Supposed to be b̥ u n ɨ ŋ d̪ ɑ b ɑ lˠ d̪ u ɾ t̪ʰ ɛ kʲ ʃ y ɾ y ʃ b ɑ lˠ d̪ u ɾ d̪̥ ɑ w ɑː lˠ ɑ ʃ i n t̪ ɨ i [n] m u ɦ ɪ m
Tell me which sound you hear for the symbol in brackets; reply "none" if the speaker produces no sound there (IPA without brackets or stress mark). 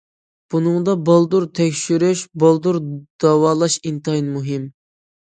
n